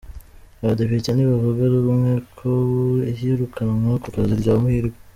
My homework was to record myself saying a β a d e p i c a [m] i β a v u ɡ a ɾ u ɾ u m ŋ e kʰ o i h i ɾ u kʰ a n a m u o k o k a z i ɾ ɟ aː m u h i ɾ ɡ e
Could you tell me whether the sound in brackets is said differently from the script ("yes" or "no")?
yes